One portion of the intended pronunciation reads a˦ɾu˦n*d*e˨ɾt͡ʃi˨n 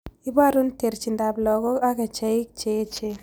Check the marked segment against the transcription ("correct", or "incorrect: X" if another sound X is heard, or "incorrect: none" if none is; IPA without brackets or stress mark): incorrect: t